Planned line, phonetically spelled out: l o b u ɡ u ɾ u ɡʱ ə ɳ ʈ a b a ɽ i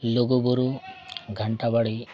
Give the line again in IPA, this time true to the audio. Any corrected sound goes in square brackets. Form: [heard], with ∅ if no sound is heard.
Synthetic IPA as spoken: l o [ɡ] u [b] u ɾ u ɡʱ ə ɳ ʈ a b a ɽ i